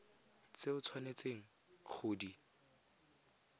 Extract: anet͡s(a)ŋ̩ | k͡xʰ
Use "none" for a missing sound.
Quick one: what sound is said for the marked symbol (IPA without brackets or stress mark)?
e